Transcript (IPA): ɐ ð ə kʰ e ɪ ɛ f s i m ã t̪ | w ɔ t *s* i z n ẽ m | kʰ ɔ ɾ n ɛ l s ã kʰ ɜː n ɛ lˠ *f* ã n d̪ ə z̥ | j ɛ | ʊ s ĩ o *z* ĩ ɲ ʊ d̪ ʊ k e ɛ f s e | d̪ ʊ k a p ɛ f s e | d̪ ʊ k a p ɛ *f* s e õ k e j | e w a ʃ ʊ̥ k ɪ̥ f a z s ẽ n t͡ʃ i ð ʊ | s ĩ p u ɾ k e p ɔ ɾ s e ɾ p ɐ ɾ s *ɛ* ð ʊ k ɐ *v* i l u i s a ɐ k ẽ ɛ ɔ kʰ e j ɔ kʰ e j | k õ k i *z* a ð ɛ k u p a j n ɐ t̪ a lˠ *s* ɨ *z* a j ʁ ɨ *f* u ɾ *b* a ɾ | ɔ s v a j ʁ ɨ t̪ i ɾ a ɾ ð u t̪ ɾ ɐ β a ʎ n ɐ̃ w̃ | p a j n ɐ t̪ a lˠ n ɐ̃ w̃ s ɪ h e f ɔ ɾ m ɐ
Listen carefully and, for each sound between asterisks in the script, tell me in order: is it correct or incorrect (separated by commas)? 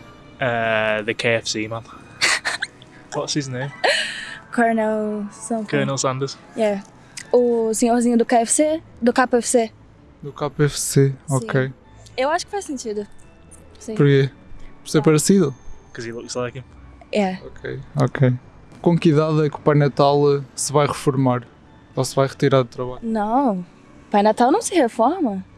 correct, incorrect, correct, correct, incorrect, incorrect, incorrect, correct, incorrect, correct, incorrect